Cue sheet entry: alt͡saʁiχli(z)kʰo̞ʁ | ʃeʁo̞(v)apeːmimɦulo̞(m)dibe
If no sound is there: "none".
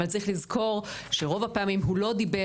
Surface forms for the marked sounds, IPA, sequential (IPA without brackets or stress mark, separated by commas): z, v, none